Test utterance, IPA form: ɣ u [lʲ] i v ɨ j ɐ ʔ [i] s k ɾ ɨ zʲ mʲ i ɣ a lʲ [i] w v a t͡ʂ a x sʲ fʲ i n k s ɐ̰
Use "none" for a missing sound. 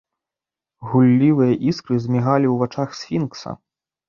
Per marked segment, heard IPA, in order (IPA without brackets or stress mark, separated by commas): lʲː, i, i